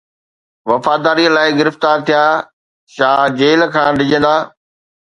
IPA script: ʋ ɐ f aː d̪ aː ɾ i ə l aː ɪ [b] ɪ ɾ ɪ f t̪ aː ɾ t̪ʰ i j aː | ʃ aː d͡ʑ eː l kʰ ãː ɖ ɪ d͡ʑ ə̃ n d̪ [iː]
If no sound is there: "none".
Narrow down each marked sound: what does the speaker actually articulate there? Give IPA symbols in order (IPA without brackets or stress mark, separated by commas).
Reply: ɡ, aː